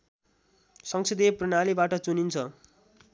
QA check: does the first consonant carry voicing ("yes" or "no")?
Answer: no